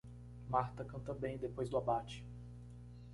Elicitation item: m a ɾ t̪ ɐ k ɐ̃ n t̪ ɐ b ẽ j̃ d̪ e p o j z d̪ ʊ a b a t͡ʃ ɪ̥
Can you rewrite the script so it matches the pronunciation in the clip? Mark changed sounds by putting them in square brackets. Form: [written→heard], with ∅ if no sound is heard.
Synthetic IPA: m a ɾ t̪ ɐ k ɐ̃ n t̪ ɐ b ẽ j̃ d̪ e p o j z d̪ ʊ a b a t͡ʃ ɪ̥